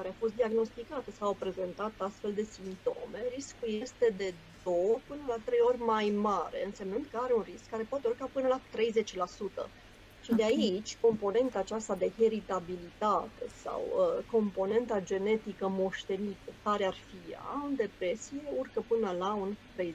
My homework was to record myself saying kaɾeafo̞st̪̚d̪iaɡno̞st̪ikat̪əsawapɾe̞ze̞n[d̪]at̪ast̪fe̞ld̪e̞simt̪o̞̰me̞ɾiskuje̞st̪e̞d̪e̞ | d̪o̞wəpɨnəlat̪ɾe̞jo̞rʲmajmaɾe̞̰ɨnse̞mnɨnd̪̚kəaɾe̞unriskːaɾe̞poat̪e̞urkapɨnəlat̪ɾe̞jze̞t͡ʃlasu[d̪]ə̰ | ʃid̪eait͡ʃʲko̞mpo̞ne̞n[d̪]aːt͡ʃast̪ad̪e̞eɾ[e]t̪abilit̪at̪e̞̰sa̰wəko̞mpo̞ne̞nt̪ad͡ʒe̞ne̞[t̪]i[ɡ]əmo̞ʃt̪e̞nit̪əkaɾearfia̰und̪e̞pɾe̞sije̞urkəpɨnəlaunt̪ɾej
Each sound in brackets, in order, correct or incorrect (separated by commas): incorrect, incorrect, incorrect, incorrect, correct, incorrect